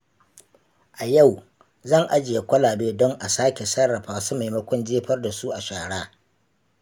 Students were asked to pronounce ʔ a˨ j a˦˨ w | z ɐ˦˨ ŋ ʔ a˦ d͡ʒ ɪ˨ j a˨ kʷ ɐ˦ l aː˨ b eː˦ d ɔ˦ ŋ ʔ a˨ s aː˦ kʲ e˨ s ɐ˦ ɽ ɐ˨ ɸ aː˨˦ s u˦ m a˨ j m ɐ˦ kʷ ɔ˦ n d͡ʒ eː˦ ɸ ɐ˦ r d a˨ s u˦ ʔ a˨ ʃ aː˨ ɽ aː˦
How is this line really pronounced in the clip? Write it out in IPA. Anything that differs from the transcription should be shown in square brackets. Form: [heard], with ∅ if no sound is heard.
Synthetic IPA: ʔ a˨ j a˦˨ w | z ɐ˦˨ ŋ ʔ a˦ d͡ʒ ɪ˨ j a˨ kʷ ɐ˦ l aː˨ b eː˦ d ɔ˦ ŋ ʔ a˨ s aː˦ kʲ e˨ s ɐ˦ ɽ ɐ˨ ɸ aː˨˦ s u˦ m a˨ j m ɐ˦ kʷ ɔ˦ n d͡ʒ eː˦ ɸ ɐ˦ r d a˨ s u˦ ʔ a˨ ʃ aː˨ ɽ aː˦